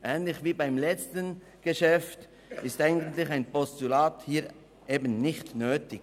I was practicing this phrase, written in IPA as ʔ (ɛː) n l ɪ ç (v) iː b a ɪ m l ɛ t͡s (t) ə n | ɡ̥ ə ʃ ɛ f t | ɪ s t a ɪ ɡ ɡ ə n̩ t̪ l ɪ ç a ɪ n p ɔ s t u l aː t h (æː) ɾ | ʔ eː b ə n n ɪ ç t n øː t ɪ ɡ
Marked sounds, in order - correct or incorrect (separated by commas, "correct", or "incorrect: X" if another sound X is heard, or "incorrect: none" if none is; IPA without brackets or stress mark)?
correct, correct, correct, incorrect: iː